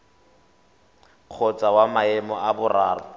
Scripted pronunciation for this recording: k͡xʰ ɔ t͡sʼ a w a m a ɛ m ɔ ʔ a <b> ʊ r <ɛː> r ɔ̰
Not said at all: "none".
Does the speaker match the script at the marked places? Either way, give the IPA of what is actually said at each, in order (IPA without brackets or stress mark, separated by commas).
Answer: b, aː